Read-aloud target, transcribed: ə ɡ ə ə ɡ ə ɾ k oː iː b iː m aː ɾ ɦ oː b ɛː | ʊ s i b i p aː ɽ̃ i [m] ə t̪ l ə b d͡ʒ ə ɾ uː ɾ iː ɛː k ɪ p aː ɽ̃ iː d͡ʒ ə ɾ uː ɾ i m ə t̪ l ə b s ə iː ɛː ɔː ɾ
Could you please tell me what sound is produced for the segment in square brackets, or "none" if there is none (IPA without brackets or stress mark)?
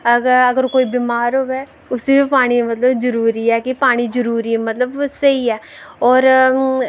m